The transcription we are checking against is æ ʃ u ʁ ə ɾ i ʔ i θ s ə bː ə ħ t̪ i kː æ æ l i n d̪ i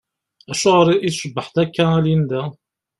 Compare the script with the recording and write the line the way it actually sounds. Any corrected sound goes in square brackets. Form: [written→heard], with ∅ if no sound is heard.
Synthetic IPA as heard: æ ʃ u ʁ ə ɾ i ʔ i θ [s→ʃ] ə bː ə ħ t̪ [i→æ] kː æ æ l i n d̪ [i→æ]

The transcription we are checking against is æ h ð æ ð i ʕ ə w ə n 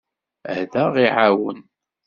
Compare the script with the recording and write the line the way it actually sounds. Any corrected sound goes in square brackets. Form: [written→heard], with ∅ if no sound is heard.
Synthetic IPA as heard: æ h ð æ [ð→ʁ] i ʕ [ə→a] w ə n

